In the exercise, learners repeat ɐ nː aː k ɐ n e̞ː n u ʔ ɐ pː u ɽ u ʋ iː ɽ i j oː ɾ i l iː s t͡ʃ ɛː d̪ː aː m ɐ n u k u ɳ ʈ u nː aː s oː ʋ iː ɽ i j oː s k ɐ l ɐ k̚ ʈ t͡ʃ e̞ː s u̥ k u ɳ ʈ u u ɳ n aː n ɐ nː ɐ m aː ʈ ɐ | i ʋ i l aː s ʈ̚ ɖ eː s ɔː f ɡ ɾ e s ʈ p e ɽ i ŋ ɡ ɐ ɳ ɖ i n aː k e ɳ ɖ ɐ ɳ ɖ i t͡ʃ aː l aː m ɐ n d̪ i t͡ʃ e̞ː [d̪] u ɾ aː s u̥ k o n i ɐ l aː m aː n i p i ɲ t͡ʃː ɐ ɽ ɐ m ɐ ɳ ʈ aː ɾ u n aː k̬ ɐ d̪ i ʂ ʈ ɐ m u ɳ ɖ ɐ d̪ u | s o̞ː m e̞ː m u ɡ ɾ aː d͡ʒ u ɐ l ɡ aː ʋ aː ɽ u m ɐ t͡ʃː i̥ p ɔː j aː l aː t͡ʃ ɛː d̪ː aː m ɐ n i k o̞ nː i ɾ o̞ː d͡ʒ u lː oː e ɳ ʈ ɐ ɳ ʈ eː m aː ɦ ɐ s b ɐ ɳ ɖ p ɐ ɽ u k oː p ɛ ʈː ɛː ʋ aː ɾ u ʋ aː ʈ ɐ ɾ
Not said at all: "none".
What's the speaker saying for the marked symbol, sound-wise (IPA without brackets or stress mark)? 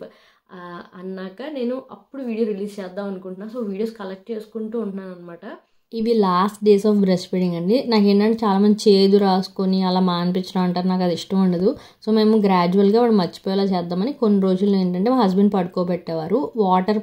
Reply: d̪